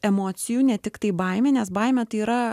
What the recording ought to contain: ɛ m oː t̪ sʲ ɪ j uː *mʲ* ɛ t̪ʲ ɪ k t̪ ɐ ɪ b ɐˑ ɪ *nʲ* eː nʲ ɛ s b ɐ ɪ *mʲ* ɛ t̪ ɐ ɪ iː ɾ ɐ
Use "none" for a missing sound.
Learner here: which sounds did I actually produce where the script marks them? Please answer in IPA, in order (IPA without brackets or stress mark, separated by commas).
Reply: nʲ, mʲ, mʲ